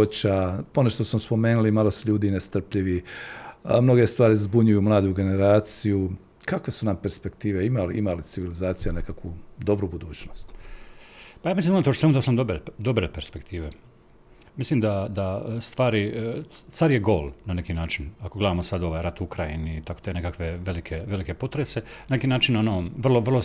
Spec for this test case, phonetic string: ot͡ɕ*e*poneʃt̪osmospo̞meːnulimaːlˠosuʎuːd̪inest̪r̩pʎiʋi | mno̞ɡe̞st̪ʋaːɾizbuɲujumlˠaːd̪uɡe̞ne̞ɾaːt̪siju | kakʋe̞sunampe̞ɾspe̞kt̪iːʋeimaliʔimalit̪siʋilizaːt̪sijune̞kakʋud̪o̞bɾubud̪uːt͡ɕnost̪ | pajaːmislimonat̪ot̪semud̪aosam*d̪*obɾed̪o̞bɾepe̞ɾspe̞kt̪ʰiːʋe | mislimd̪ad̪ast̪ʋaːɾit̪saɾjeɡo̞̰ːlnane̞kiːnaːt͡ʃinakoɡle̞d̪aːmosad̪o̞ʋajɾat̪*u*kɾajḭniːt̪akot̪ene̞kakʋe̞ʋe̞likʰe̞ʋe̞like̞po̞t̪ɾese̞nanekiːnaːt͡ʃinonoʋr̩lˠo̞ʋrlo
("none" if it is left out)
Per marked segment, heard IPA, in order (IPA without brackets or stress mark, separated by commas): a, d̪, u